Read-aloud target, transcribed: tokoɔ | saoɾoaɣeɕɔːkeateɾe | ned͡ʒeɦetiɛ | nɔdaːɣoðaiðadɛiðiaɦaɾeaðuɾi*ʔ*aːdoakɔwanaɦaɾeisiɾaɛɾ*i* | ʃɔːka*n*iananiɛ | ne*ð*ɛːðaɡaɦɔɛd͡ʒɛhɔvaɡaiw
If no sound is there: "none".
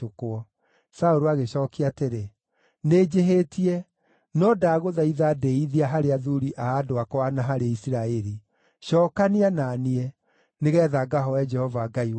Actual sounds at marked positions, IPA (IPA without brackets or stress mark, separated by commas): ʔ, i, n, ɣ